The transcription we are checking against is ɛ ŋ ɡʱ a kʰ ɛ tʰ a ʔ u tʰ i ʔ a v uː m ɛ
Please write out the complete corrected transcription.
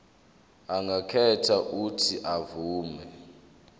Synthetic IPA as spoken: a ŋ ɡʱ a kʰ ɛ tʰ a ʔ u tʰ i ʔ a v uː m ɛ